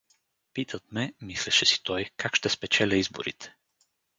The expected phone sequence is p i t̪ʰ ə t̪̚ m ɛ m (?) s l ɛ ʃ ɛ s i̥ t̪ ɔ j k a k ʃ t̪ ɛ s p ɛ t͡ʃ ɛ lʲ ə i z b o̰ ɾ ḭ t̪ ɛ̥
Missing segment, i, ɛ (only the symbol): i